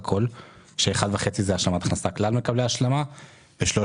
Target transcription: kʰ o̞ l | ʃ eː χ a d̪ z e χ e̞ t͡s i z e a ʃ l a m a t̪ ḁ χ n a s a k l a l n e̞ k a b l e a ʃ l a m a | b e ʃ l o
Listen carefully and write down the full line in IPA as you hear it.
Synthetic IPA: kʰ o̞ l | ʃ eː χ a d̪ v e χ e̞ t͡s i z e a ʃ l a m a t̪ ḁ χ n a s a k l a l m e̞ k a b l e a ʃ l a m a | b e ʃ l o